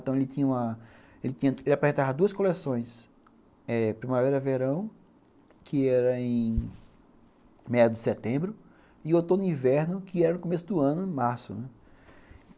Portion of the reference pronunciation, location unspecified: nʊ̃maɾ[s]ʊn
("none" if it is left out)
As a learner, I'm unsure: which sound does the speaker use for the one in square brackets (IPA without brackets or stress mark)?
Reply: s